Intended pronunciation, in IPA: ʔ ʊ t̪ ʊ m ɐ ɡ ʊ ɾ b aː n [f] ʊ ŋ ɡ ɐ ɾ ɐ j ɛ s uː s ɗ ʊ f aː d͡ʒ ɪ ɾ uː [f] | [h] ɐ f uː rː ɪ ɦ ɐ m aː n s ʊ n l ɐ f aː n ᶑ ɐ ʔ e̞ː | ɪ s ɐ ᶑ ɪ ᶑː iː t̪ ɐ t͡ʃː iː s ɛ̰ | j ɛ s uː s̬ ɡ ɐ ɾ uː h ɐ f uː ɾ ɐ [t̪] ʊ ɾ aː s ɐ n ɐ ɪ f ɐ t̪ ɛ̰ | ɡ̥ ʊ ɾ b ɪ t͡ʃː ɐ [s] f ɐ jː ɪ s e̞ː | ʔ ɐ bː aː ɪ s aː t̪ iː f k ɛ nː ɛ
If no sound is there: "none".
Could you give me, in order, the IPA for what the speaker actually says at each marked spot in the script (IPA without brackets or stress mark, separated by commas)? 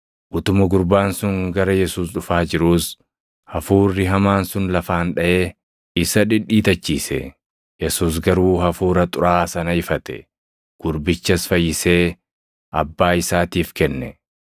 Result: s, s, h, t̪ʼ, s